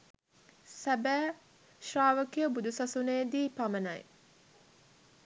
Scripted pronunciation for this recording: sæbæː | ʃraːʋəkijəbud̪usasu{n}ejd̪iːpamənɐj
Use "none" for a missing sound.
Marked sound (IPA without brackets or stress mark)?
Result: n